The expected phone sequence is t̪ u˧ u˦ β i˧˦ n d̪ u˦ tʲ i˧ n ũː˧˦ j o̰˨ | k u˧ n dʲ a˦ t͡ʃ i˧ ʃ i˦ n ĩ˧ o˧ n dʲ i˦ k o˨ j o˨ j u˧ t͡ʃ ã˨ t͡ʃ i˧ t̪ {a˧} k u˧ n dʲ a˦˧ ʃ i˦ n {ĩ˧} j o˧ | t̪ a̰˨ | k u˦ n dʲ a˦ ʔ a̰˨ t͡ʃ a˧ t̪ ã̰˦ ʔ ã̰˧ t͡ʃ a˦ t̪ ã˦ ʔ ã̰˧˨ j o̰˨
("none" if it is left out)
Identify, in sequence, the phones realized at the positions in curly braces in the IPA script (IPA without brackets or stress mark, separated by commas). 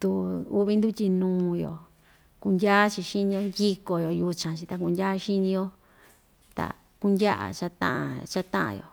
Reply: a˧, ĩ˧